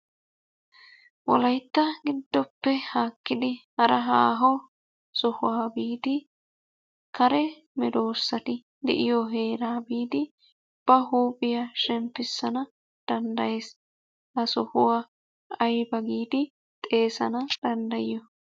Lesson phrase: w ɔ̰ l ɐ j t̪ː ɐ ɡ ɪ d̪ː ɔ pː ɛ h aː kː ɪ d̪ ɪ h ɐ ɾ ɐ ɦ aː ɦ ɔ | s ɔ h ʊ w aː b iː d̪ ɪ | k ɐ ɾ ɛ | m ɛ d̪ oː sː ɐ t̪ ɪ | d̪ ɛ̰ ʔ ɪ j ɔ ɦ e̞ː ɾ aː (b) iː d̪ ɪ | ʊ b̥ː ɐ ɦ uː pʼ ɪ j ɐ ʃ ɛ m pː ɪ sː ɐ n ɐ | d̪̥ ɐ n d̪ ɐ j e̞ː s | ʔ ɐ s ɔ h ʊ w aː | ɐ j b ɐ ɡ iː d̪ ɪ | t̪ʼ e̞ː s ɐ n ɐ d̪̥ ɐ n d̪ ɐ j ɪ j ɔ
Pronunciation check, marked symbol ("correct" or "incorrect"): correct